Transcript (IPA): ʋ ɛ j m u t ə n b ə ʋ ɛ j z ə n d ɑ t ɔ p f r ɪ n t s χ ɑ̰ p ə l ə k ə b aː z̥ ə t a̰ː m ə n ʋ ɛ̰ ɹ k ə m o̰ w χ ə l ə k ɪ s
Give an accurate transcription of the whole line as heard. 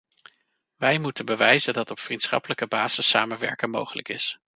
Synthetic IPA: ʋ ɛ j m u t ə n b ə ʋ ɛ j z ə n d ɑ t ɔ p f r i n t s χ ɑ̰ p ə l ə k ə b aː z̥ ə s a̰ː m ə n ʋ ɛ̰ ɹ k ə m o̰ w χ ə l ə k ɪ s